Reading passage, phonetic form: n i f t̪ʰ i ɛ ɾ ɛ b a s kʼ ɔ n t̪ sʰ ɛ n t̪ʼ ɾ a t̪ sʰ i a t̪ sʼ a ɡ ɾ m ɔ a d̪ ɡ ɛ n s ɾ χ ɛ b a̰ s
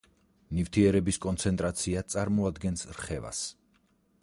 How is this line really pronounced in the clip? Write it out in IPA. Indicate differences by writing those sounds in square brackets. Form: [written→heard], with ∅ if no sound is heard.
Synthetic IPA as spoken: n i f t̪ʰ i ɛ ɾ ɛ b [a→i] s kʼ ɔ n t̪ sʰ ɛ n t̪ʼ ɾ a t̪ sʰ i a t̪ sʼ a [ɡ→∅] ɾ m ɔ a d̪ ɡ ɛ n s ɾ χ ɛ [b→v] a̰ s